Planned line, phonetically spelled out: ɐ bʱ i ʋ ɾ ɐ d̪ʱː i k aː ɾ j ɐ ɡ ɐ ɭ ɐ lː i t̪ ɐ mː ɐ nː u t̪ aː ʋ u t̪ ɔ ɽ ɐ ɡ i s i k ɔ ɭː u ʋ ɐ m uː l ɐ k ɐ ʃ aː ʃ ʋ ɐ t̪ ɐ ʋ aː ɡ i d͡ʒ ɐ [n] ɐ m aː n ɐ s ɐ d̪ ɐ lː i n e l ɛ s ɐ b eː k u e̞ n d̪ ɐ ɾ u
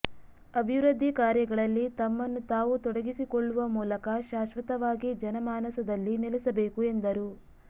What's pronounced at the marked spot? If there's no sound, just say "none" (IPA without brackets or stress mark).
n